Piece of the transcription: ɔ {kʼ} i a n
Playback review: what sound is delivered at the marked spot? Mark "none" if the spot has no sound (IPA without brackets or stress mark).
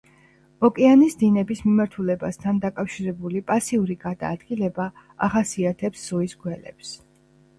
kʼ